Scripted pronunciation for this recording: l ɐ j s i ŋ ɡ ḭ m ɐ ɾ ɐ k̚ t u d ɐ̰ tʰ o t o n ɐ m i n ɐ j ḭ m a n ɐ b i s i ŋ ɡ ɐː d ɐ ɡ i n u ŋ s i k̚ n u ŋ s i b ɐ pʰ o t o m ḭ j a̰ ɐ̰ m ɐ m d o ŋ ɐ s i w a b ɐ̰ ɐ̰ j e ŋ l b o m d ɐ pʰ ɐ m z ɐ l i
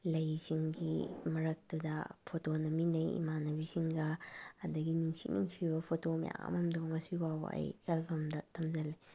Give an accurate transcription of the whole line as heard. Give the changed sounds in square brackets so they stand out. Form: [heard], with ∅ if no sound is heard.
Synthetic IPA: l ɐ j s i ŋ ɡ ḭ m ɐ ɾ ɐ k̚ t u d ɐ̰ [pʰ] o t o n ɐ m i n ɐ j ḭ m a n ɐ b i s i ŋ ɡ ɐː d ɐ ɡ i n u ŋ s i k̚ n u ŋ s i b ɐ pʰ o t o m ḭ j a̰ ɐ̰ m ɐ m d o ŋ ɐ s i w a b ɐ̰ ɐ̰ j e [∅] l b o m d ɐ [tʰ] ɐ m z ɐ l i